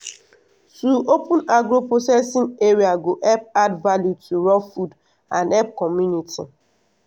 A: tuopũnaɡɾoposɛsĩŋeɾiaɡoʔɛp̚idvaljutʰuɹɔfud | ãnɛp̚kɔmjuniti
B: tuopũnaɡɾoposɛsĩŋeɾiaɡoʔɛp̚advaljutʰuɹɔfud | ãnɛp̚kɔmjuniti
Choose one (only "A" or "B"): B